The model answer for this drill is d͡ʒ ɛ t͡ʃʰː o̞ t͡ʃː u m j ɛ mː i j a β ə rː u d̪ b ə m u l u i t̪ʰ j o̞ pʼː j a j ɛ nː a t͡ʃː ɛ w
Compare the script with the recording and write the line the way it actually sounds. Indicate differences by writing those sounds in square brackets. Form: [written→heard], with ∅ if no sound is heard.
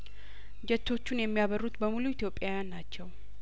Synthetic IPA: d͡ʒ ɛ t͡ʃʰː o̞ t͡ʃː u [m→n] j ɛ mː i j a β ə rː u [d̪→t̪] b ə m u l u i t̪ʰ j o̞ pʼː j a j [ɛ→a] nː a t͡ʃː ɛ w